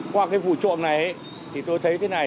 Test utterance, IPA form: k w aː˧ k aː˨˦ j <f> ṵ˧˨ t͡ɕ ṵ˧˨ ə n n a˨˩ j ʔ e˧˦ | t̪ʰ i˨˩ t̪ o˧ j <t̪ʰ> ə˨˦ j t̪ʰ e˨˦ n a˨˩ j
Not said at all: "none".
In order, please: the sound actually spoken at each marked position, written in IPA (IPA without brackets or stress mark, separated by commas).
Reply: v, t̪ʰ